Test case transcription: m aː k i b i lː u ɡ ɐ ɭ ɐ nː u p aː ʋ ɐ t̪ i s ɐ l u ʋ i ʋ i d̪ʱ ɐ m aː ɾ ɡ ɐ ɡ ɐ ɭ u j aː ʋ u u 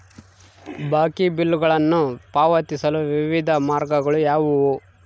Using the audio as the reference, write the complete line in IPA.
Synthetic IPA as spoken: b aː k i b i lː u ɡ ɐ ɭ ɐ nː u p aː ʋ ɐ t̪ i s ɐ l u ʋ i ʋ i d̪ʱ ɐ m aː ɾ ɡ ɐ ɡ ɐ ɭ u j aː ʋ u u